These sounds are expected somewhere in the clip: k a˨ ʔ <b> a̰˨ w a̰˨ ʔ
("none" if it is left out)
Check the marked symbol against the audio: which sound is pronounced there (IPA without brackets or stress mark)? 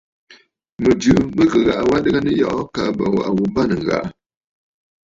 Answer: b